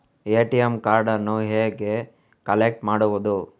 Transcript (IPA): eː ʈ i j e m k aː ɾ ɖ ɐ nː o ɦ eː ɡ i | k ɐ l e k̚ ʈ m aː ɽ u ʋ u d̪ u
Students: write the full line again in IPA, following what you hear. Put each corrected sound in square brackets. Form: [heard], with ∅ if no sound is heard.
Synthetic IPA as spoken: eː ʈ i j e m k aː ɾ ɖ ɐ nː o ɦ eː ɡ [e] | k ɐ l e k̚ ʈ m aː ɽ u ʋ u d̪ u